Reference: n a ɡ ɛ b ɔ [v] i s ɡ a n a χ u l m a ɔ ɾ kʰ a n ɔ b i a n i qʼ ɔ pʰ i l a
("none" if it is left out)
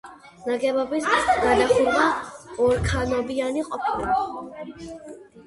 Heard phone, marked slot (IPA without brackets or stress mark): b